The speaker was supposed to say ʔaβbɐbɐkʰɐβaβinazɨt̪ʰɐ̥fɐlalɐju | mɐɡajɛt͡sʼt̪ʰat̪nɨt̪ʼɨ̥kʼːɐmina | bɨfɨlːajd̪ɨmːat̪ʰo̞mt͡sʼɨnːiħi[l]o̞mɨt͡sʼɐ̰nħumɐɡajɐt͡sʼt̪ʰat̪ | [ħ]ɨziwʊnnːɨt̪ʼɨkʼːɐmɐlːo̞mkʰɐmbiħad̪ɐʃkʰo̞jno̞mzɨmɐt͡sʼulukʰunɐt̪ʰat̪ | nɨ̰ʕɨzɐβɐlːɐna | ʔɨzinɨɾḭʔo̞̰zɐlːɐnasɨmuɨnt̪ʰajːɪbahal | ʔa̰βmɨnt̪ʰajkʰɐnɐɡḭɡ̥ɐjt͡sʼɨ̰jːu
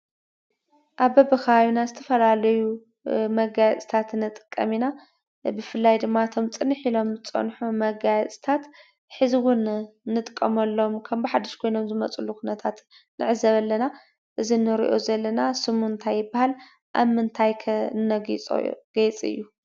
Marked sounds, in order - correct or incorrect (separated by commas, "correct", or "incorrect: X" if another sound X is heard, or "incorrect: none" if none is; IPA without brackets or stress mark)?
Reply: correct, correct